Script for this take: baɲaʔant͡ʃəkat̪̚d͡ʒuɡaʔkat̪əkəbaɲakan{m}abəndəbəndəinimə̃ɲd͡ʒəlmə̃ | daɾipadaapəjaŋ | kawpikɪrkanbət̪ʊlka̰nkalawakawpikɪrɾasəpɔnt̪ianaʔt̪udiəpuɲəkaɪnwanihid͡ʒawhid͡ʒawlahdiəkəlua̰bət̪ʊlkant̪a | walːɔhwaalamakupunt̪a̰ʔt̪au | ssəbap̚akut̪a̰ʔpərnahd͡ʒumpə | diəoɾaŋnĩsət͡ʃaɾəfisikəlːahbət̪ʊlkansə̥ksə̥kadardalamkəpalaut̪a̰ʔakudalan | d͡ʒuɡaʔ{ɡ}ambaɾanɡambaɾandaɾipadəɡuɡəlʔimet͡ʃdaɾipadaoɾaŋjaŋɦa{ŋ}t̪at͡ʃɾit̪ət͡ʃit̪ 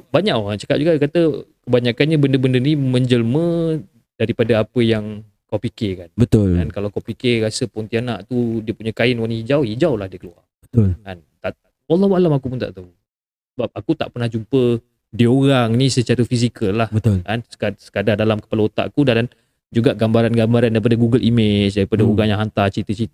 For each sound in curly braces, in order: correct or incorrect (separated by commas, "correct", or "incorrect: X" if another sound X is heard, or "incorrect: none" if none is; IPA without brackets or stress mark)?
incorrect: ɲ, correct, incorrect: n